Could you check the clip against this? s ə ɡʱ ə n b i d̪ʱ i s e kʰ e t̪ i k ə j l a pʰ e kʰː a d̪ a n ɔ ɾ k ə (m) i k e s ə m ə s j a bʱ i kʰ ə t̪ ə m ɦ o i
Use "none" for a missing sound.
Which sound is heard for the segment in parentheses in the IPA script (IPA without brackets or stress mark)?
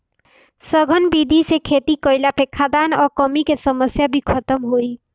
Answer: m